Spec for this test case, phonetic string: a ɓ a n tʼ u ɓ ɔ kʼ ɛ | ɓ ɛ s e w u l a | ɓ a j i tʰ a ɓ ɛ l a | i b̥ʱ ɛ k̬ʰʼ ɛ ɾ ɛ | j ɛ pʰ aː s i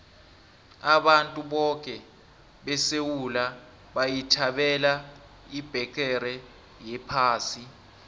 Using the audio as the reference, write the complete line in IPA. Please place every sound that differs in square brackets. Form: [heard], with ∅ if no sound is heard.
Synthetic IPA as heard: a ɓ a n tʼ u ɓ ɔ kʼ ɛ | ɓ ɛ s e w u l a | ɓ a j i tʰ a ɓ ɛ l a | i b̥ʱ ɛ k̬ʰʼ ɛ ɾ ɛ | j ɛ pʰ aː s i